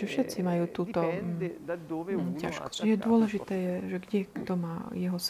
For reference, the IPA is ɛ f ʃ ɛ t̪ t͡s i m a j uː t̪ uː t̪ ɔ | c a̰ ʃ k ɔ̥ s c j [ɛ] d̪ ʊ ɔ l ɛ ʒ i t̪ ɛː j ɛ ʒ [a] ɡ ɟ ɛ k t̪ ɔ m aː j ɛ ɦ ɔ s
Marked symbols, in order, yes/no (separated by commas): yes, no